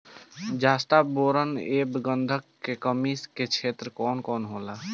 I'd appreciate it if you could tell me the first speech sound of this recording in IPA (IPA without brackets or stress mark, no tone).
d͡ʒ